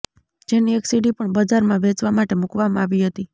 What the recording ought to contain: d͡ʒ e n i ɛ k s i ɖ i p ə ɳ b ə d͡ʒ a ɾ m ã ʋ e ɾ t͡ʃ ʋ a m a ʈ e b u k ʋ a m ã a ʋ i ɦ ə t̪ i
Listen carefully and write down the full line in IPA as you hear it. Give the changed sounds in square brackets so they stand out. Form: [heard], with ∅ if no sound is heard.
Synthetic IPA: d͡ʒ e n i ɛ k s i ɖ i p ə ɳ b ə d͡ʒ a ɾ m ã ʋ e [∅] t͡ʃ ʋ a m a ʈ e [m] u k ʋ a m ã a ʋ i ɦ ə t̪ i